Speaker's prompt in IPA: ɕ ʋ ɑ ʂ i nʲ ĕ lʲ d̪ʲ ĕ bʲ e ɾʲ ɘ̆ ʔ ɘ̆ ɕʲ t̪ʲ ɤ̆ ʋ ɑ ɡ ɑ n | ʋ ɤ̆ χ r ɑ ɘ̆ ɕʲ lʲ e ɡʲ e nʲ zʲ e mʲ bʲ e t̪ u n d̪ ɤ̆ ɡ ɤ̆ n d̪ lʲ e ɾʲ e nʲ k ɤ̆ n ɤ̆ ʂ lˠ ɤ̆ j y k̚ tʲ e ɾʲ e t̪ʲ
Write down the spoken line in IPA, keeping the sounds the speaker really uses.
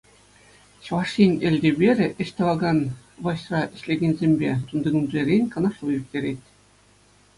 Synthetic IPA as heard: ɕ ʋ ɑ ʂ i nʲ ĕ lʲ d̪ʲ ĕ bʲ e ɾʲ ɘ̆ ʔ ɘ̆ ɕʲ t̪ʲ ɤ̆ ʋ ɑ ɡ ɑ n | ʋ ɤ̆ ɕ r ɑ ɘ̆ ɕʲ lʲ e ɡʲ e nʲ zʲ e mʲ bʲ e t̪ u n d̪ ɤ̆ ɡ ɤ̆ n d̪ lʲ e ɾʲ e nʲ k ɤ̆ n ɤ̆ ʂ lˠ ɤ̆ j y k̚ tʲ e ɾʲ e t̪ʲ